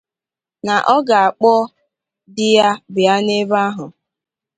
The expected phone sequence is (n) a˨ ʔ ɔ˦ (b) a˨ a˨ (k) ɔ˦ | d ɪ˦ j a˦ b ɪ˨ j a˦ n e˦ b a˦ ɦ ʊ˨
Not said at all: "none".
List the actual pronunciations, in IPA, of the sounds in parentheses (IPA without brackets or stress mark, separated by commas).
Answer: n, ɡ, k͡p